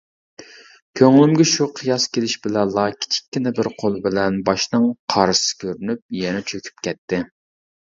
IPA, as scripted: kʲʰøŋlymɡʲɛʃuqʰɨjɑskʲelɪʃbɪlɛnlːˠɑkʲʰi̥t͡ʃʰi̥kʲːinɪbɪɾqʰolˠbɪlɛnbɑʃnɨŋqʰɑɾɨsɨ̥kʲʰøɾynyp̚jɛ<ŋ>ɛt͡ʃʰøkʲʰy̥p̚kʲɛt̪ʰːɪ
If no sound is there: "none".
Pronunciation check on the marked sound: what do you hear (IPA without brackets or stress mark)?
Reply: n